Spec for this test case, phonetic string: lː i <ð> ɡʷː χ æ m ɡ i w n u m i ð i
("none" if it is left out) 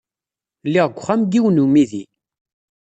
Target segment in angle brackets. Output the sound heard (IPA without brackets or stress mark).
ʁ